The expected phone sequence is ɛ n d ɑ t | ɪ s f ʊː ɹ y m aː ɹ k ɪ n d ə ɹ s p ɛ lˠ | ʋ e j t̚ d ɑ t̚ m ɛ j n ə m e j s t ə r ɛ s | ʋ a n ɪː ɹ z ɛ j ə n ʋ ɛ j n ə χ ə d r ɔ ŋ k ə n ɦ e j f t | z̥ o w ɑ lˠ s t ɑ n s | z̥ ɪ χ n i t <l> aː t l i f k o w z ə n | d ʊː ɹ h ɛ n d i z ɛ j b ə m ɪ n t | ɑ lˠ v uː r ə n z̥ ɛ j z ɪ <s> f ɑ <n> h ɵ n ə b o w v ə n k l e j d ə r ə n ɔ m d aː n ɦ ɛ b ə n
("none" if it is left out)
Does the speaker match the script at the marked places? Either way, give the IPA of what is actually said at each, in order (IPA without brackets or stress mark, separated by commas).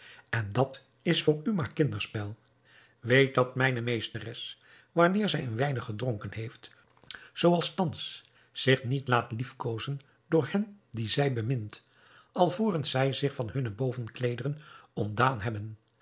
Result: l, χ, n